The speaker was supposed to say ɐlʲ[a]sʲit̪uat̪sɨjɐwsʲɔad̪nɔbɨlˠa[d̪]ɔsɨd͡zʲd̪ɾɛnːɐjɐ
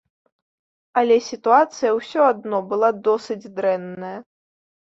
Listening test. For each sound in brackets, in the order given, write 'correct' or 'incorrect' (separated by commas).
incorrect, correct